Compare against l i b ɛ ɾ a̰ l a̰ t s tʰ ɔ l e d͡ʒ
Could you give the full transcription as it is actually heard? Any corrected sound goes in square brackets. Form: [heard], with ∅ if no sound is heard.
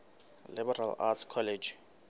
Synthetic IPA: l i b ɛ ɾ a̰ l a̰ t s [kʰ] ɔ l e d͡ʒ

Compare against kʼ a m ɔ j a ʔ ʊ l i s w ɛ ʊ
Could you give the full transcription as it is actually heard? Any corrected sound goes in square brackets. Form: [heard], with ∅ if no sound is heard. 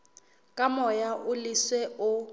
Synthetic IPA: kʼ a m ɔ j a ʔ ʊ l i s w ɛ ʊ

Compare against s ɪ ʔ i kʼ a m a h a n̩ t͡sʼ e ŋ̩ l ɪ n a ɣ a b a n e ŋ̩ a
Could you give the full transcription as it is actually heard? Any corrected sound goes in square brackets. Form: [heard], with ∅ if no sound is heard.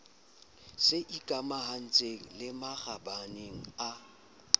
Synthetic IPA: s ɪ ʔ i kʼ a m a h a n̩ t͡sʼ e ŋ̩ l ɪ [m] a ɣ a b a n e ŋ̩ a

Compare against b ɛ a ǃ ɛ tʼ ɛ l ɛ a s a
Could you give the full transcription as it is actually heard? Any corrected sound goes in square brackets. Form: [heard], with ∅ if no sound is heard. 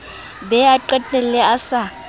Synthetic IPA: b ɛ a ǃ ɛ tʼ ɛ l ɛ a s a

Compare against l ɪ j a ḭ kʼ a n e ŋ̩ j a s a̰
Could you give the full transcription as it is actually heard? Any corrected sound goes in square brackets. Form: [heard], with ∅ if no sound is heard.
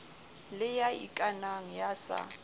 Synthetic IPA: l ɪ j a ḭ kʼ a n [a] ŋ̩ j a s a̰

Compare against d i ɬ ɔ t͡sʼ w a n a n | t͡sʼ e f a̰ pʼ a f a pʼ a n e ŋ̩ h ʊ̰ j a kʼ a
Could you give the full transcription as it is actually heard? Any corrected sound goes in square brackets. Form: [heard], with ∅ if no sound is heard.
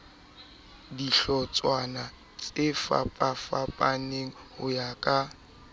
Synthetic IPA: d i ɬ ɔ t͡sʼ w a n a [∅] | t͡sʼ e f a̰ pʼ a f a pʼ a n e ŋ̩ h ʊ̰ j a kʼ a

